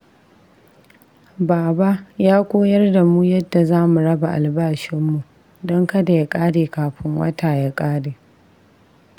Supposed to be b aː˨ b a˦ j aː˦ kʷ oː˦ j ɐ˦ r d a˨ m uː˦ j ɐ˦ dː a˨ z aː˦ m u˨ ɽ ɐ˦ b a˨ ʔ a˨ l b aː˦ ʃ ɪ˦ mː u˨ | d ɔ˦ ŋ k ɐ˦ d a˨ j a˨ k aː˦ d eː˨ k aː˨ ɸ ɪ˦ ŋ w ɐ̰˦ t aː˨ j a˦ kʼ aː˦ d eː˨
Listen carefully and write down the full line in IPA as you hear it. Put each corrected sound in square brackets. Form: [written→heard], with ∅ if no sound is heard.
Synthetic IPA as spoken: b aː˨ b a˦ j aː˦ kʷ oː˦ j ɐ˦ r d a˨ m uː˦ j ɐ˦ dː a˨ z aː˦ m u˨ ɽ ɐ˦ b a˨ ʔ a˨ l b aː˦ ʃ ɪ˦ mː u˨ | d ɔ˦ ŋ k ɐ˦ d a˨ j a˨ [k→kʼ] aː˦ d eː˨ k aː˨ ɸ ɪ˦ ŋ w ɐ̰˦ t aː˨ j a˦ kʼ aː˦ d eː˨